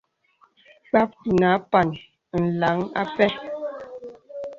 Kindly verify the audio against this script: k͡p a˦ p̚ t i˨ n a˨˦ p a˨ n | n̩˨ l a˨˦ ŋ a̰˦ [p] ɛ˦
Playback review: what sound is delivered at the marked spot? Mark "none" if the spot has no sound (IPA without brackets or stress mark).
p